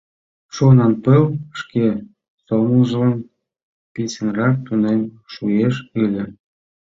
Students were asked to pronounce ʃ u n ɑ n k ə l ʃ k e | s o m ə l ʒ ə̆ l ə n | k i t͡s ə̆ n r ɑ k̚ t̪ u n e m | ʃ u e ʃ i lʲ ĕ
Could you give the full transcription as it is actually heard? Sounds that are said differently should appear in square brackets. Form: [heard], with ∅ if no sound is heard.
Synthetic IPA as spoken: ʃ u n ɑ n [p] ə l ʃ k e | s o m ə l ʒ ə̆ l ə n | [p] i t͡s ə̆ n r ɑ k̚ t̪ u n e m | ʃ u e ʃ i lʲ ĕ